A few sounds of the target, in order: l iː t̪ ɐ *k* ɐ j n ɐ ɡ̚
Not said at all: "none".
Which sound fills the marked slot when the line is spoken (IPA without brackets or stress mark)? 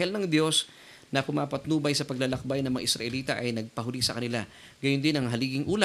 ʔ